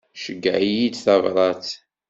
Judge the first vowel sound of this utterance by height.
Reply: mid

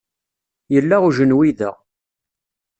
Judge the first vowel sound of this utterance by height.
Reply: mid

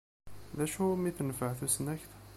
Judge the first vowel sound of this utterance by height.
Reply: low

